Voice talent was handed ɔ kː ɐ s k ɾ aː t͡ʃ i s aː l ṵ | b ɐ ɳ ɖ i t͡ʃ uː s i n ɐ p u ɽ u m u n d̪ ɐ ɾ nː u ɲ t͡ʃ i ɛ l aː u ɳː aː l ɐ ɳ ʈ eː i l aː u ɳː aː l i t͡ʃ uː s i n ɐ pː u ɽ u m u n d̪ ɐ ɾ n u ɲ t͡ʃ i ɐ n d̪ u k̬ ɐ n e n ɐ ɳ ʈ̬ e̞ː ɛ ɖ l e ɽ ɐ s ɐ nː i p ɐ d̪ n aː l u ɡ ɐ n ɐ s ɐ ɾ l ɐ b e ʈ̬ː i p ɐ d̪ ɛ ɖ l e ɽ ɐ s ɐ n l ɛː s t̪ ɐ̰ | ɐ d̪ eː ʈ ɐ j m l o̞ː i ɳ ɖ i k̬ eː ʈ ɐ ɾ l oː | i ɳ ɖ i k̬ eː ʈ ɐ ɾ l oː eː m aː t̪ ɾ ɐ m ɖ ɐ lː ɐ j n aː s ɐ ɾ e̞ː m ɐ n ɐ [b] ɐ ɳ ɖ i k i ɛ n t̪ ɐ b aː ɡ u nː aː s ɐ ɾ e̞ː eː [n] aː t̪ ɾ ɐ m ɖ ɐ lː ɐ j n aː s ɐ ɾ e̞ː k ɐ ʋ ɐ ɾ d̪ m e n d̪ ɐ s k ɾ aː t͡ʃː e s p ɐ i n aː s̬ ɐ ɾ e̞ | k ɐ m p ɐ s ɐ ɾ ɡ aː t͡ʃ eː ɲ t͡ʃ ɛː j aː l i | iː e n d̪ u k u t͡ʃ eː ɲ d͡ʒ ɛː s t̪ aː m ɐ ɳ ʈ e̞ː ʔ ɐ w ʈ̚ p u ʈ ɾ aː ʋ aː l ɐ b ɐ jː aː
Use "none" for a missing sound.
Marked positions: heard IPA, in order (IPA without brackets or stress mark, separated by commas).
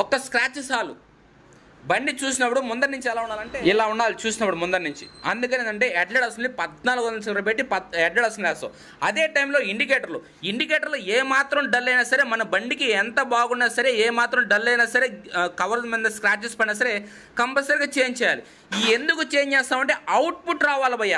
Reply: b, m